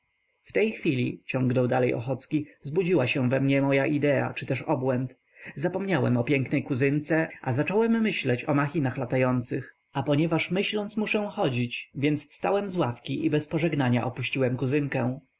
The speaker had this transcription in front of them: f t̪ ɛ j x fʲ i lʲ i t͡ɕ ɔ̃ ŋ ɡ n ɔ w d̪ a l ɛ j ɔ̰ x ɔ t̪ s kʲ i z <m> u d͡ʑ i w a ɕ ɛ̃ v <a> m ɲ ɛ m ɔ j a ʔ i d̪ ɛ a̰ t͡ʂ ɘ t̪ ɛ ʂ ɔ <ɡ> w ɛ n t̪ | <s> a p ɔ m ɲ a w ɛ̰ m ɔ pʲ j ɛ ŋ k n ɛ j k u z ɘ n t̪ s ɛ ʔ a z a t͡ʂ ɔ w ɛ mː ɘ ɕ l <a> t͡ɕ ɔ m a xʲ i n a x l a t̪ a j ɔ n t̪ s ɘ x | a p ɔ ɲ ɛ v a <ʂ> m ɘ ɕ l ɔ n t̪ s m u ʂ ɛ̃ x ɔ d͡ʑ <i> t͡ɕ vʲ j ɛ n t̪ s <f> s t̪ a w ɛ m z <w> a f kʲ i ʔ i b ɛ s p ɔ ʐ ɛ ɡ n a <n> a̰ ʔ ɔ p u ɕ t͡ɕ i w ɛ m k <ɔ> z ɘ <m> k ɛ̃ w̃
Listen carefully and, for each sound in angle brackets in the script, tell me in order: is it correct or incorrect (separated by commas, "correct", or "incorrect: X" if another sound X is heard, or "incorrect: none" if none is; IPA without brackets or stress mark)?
incorrect: b, incorrect: ɛ, incorrect: b, incorrect: z, incorrect: ɛ, correct, correct, correct, correct, incorrect: ɲ, incorrect: u, incorrect: ŋ